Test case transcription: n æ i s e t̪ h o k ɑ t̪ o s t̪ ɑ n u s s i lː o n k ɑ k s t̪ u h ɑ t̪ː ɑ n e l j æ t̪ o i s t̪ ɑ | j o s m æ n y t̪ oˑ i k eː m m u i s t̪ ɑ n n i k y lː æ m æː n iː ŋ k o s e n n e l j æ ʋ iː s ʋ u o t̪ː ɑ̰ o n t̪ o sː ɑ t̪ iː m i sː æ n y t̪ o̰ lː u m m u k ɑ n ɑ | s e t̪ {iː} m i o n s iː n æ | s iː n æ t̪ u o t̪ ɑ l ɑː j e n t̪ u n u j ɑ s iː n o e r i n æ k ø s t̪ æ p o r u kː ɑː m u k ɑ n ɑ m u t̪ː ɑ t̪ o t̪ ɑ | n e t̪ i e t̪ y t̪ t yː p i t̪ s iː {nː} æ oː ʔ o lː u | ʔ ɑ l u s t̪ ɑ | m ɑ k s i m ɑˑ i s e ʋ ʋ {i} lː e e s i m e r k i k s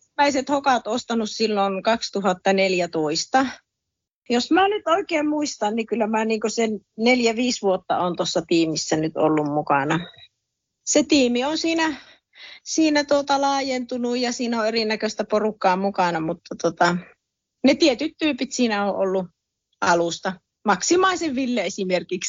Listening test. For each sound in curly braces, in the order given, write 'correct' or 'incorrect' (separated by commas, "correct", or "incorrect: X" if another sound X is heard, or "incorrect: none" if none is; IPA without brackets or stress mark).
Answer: correct, incorrect: n, correct